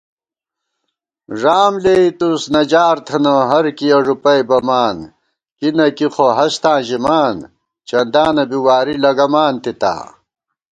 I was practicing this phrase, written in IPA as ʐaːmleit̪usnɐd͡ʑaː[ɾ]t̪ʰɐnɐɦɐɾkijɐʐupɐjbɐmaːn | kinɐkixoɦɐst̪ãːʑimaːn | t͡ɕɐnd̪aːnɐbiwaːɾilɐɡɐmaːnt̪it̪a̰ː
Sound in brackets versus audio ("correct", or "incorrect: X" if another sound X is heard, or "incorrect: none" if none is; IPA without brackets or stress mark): correct